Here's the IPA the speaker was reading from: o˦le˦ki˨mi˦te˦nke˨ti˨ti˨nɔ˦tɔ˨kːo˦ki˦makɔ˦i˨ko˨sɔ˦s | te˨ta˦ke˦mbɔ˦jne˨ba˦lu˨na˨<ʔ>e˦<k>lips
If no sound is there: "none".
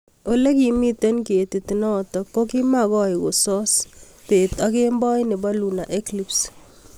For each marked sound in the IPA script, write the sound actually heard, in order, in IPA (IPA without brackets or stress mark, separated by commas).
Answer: ʔ, k